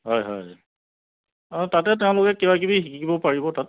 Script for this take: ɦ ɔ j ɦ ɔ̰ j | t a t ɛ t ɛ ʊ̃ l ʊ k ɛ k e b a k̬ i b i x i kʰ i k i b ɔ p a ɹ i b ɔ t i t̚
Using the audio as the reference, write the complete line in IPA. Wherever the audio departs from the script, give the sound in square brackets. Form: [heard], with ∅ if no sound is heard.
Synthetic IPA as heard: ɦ ɔ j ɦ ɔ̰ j | t a t ɛ t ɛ ʊ̃ l ʊ k ɛ k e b a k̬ i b i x i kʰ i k i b ɔ p a ɹ i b ɔ t [a] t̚